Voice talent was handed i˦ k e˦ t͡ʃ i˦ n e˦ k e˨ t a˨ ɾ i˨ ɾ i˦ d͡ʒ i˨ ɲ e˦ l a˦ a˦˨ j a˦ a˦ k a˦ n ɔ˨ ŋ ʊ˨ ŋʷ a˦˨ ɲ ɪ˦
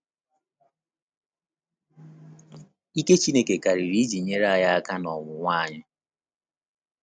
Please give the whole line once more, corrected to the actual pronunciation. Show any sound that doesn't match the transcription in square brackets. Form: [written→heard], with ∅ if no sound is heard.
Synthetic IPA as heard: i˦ k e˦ t͡ʃ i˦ n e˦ k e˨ [t→k] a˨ ɾ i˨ ɾ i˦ d͡ʒ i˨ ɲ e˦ [l→ɾ] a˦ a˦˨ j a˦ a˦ k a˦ n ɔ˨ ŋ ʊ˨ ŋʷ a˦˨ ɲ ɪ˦